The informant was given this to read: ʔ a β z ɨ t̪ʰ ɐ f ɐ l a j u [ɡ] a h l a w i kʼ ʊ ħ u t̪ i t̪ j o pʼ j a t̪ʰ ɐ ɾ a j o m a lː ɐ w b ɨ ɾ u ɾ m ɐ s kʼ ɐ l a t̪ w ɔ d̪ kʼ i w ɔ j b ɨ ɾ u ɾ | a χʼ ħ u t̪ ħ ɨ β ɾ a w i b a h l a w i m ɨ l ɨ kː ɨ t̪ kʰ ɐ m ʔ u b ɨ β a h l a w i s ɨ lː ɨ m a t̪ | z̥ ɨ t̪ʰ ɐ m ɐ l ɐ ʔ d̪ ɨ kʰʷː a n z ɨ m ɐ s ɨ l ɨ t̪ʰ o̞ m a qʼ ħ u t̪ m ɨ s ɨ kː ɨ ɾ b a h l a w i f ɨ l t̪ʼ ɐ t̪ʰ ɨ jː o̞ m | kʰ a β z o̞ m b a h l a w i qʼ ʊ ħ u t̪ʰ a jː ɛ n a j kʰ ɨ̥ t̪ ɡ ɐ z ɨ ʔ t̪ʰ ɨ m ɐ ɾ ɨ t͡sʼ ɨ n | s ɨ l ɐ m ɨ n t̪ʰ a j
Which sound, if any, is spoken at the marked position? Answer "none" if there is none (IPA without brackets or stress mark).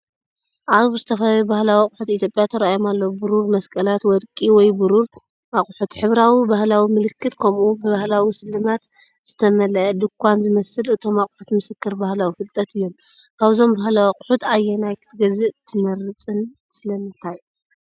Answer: b